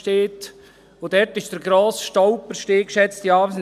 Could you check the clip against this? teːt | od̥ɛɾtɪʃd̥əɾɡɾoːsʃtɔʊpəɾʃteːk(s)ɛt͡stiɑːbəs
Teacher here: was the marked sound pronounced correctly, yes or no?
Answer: no